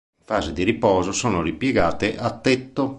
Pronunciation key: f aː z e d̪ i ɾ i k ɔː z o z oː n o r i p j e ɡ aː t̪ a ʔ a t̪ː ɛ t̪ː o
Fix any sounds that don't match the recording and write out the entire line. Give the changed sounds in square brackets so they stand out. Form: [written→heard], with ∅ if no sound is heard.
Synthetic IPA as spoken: f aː z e d̪ i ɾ i [k→p] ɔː z o [z→s] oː n o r i p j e ɡ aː t̪ [a→e] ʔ a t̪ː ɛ t̪ː o